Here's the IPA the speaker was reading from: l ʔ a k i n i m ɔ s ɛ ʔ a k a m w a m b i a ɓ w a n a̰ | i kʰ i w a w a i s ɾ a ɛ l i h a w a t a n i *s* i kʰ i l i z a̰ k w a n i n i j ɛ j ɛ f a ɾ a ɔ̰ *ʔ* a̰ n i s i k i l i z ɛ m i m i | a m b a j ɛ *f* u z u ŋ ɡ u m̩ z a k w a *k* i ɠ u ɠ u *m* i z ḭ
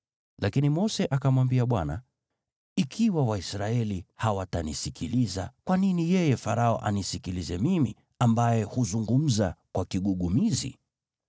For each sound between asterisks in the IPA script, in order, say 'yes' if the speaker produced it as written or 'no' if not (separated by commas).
yes, yes, no, yes, yes